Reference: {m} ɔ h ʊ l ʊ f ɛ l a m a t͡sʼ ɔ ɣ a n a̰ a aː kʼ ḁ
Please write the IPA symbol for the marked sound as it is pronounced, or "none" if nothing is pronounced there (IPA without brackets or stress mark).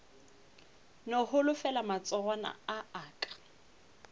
n